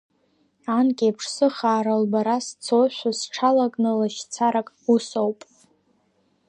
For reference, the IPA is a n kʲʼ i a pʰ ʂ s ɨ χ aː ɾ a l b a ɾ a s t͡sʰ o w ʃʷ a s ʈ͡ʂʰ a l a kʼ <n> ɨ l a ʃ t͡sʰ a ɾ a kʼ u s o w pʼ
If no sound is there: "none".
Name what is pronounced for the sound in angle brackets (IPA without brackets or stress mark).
n